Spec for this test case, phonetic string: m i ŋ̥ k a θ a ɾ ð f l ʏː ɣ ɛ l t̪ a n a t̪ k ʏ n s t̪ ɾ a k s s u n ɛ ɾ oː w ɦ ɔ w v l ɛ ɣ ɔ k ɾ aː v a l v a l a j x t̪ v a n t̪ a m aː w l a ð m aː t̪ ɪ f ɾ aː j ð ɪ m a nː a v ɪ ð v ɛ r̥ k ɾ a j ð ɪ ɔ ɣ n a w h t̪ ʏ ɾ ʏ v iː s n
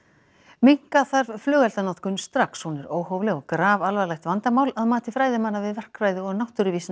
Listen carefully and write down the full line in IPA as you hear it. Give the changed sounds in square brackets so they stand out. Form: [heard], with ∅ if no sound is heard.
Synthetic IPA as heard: m i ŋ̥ k a θ a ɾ [v] f l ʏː ɣ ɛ l t̪ a n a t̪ k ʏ n s t̪ ɾ a k s [h] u n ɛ ɾ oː w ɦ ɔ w v l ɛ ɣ ɔ k ɾ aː v a l v a l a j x t̪ v a n t̪ a m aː w l a ð m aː t̪ ɪ f ɾ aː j ð ɪ m a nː a v ɪ ð v ɛ r̥ k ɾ a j ð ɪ ɔ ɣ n a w h t̪ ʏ ɾ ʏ v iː s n

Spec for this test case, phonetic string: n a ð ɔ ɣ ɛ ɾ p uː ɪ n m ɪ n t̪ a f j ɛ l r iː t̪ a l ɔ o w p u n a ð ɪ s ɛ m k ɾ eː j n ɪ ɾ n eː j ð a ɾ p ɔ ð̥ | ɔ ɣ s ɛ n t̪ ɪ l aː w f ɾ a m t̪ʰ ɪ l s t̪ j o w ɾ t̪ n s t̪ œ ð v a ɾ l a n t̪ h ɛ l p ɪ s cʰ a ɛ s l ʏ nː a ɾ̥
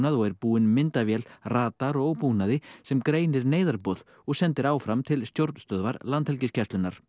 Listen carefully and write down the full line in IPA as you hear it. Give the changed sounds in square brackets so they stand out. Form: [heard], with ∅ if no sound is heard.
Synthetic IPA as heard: n a ð ɔ ɣ ɛ ɾ p uː ɪ n m ɪ n t̪ a [v] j ɛ l r [aː] t̪ a [ɾ] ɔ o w p u n a ð ɪ s ɛ m k ɾ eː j n ɪ ɾ n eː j ð a ɾ p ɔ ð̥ | ɔ ɣ s ɛ n t̪ ɪ [ɾ] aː w f ɾ a m t̪ʰ ɪ l s t̪ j o w ɾ t̪ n s t̪ œ ð v a ɾ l a n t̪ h ɛ l [c] ɪ s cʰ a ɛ s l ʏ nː a ɾ̥

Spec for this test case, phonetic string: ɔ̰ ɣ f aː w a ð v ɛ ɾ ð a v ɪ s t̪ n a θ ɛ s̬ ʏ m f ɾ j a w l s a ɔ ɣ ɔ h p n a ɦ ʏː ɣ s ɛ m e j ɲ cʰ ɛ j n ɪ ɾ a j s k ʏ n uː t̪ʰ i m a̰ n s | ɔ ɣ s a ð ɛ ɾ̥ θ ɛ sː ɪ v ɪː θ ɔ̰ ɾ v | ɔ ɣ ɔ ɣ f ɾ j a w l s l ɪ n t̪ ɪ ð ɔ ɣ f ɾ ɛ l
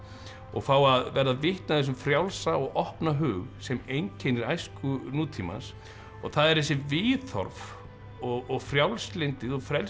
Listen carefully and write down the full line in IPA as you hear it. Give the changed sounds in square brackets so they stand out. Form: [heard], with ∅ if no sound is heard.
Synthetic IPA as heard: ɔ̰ ɣ f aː w a ð v ɛ ɾ ð a v ɪ [h] t̪ n a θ ɛ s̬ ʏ m f ɾ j a w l s a ɔ ɣ ɔ h p n a ɦ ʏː ɣ s ɛ m e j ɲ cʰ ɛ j n ɪ ɾ a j s k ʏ n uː t̪ʰ i m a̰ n s | ɔ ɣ [θ] a ð ɛ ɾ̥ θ ɛ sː ɪ v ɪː θ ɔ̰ ɾ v | ɔ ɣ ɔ ɣ f ɾ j a w l s l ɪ n t̪ ɪ ð ɔ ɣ f ɾ ɛ l

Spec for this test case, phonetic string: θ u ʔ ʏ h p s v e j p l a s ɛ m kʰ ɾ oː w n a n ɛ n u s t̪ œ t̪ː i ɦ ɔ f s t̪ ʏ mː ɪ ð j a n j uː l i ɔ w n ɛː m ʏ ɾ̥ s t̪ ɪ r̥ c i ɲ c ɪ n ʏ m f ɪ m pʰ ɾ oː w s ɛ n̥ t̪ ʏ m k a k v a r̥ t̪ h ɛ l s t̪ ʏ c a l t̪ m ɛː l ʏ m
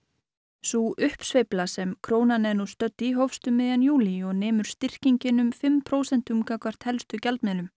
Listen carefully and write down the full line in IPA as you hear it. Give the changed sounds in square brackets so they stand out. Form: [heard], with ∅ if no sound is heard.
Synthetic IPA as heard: [s] u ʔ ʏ h p s v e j p l a s ɛ m kʰ ɾ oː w n a n ɛ n u s t̪ œ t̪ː i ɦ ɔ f s t̪ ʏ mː ɪ ð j a n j uː l i ɔ [ɣ] n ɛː m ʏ ɾ̥ s t̪ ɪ r̥ c i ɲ c ɪ n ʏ m f ɪ m pʰ ɾ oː w s ɛ n̥ t̪ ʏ m k a k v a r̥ t̪ h ɛ l s t̪ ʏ c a l t̪ m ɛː l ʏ m

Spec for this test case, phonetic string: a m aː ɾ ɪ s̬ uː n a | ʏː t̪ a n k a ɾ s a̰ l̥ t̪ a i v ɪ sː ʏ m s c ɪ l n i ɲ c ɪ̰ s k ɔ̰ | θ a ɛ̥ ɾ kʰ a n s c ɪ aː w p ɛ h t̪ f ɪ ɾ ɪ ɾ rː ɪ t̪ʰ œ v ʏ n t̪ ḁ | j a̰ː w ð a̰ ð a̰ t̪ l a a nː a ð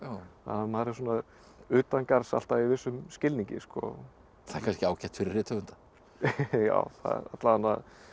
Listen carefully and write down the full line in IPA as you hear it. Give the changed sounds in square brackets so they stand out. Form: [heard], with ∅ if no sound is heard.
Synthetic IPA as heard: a m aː ɾ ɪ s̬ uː n a | ʏː t̪ a n k a ɾ s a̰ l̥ t̪ a i v ɪ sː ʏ m s c ɪ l n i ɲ c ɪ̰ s k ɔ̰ | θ a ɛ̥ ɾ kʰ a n s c ɪ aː w [c] ɛ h t̪ f ɪ ɾ ɪ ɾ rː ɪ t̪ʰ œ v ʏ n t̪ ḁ | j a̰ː w [θ] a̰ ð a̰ t̪ l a a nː a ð

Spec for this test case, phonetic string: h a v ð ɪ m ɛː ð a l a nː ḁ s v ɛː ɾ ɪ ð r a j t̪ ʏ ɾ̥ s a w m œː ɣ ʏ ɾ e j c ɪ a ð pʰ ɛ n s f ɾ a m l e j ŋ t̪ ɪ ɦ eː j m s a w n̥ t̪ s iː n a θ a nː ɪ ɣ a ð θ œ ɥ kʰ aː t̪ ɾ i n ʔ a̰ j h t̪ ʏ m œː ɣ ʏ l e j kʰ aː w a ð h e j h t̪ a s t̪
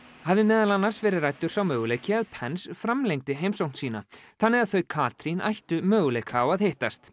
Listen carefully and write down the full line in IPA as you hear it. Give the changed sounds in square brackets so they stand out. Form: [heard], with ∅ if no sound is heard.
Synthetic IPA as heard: h a v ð ɪ m ɛː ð a l a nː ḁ s v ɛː ɾ ɪ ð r a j t̪ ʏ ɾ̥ s a w m œː ɣ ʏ [l] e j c ɪ a ð pʰ ɛ n s f ɾ a m l e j ŋ t̪ ɪ ɦ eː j m s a w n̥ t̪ s iː n a θ a nː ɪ ɣ a ð θ œ ɥ kʰ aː t̪ ɾ i n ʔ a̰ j h t̪ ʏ m œː ɣ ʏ l e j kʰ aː w a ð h e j h t̪ a s t̪

